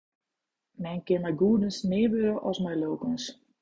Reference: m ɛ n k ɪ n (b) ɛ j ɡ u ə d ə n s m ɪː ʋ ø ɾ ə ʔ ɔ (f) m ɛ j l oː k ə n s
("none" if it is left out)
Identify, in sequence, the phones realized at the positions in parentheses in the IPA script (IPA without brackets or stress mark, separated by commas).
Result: m, s